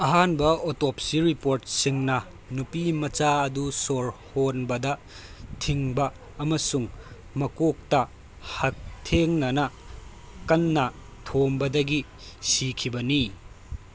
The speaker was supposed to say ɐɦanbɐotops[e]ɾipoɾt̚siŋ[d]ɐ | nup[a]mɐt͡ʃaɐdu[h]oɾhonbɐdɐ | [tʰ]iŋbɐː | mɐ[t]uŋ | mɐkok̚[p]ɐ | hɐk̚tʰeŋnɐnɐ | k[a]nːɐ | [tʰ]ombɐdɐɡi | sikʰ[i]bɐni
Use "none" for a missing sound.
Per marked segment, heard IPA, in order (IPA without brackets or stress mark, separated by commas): i, n, i, s, tʰ, s, t, ɐ, tʰ, i